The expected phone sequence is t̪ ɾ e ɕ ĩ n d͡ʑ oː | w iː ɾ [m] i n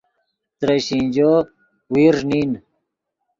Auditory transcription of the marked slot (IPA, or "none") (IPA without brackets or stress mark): n